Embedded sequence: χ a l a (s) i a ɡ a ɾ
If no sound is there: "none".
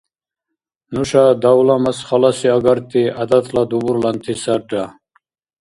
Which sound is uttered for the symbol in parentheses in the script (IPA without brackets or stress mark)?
s